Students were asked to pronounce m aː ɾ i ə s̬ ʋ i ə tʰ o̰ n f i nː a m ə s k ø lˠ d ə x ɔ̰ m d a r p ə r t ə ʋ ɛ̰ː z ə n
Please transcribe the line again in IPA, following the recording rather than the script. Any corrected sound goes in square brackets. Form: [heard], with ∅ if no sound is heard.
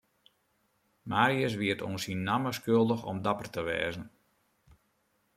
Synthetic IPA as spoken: m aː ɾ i ə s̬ ʋ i ə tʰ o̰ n [s] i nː a m ə s k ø lˠ d ə x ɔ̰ m d a [∅] p ə r t ə ʋ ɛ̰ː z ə n